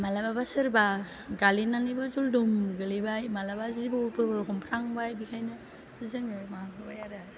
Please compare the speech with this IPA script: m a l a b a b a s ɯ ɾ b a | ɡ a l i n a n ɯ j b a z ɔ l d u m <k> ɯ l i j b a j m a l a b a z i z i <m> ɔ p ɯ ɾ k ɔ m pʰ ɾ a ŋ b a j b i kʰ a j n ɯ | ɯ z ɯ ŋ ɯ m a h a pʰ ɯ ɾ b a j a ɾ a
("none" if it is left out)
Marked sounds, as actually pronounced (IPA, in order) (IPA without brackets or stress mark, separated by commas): ɡ, b